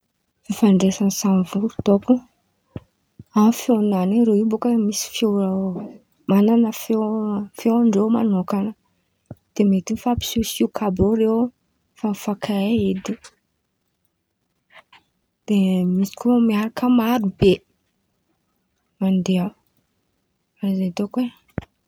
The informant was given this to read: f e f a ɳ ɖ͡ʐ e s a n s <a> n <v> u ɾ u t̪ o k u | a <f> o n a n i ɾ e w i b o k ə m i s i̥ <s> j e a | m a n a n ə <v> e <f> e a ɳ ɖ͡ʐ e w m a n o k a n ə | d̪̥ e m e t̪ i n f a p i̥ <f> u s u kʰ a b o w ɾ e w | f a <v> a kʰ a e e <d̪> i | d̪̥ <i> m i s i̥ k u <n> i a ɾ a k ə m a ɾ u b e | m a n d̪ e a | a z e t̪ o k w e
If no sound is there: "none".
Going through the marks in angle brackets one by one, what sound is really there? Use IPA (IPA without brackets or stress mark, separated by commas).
a, v, f, f, f, f, s, f, d̪, e, m